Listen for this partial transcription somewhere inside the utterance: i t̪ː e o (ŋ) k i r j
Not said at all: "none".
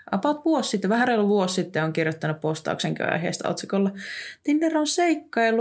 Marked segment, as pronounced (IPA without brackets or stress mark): ŋ